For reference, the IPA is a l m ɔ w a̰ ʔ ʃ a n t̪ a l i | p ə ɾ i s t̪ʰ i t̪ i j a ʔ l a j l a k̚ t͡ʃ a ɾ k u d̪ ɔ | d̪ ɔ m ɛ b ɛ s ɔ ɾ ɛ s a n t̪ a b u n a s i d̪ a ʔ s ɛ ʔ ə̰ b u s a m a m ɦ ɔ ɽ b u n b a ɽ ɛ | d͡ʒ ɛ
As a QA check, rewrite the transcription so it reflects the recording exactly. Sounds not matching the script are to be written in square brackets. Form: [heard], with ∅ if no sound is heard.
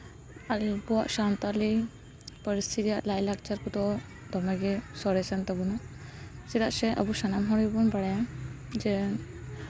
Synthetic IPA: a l [b] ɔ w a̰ ʔ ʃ a n t̪ a l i | p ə ɾ i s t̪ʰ i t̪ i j a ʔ l a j l a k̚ t͡ʃ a ɾ k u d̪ ɔ | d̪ ɔ m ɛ [ɡ] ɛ s ɔ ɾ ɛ s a n t̪ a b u n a s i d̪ a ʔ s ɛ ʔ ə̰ b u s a [n] a m ɦ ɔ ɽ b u n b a ɽ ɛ | d͡ʒ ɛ